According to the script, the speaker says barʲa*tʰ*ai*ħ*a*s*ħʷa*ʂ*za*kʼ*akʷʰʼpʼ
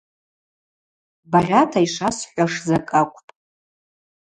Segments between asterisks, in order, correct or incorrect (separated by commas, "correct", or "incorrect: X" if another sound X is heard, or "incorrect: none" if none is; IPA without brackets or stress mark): correct, incorrect: ʂ, correct, correct, correct